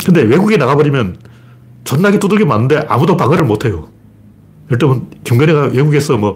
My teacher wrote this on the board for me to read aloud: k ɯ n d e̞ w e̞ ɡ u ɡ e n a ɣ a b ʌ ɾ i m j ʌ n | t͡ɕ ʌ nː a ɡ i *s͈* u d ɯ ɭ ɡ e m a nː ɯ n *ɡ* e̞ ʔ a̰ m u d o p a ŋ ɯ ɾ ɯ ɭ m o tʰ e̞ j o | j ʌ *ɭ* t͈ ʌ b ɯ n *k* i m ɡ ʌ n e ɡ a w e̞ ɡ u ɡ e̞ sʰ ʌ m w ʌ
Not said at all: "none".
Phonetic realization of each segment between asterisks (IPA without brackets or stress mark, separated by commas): t͈, d, ɭ, k